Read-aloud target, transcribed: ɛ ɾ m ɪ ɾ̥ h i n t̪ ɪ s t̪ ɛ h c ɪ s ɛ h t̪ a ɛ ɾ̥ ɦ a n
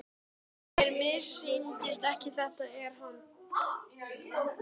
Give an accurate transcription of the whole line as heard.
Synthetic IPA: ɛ ɾ m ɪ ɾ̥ s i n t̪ ɪ s t̪ ɛ h c ɪ θ ɛ h t̪ a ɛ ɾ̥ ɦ a n